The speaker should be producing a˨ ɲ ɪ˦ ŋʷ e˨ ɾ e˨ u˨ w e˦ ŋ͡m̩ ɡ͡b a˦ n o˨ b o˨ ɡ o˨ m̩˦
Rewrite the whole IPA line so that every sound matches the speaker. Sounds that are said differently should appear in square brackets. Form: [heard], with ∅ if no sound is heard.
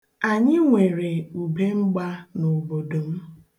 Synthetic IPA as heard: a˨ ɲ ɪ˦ ŋʷ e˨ ɾ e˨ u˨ [b] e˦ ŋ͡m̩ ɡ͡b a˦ n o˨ b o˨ [d] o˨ m̩˦